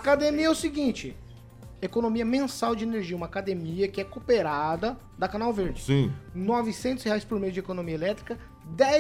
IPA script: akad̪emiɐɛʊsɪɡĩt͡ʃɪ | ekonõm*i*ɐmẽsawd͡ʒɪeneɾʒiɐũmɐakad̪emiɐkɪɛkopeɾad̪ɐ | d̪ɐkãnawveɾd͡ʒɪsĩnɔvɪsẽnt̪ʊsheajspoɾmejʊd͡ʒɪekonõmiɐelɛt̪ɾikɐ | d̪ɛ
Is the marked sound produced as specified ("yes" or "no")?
yes